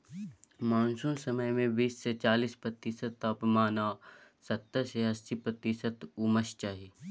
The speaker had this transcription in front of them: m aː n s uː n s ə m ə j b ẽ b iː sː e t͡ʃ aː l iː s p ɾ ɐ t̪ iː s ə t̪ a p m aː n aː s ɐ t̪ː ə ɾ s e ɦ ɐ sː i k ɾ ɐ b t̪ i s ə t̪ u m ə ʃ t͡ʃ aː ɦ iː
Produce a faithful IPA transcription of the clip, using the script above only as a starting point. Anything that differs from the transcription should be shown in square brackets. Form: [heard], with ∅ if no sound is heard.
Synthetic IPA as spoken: m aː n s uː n s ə m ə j [m] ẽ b iː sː e t͡ʃ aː l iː s p ɾ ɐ t̪ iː s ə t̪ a p m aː n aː s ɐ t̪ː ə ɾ s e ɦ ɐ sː i [p] ɾ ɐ [∅] t̪ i s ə t̪ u m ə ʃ t͡ʃ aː ɦ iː